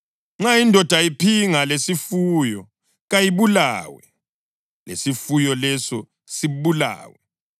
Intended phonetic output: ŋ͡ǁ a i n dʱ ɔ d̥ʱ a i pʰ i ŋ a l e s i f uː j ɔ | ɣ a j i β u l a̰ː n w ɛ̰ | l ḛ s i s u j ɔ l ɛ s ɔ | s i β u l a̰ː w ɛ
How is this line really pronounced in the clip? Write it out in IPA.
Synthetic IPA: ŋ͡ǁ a i n dʱ ɔ d̥ʱ a i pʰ i ŋ a l e s i f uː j ɔ | ɣ a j i β u l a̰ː w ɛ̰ | l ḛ s i f u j ɔ l ɛ s ɔ | s i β u l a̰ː w ɛ